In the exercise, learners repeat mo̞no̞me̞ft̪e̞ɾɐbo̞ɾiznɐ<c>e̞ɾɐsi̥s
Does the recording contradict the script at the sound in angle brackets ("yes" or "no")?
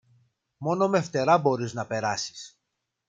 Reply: yes